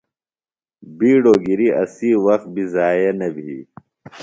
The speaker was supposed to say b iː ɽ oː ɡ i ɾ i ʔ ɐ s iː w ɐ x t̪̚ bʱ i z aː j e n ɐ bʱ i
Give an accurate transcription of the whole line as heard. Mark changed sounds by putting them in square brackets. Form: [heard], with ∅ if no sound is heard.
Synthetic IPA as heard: b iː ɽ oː ɡ i ɾ i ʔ ɐ s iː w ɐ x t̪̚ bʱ i z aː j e n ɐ bʱ i